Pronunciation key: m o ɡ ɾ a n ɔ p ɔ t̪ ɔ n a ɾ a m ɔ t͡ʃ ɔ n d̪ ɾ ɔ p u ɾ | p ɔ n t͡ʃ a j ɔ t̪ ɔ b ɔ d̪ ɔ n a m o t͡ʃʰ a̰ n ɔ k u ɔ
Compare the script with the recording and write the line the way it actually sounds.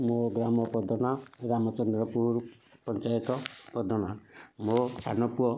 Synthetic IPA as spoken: m o ɡ ɾ a m ɔ p ɔ d̪ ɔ n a ɾ a m ɔ t͡ʃ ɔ n d̪ ɾ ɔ p u ɾ | p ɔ n t͡ʃ a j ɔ t̪ ɔ p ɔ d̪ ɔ n a m o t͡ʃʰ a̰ n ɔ p u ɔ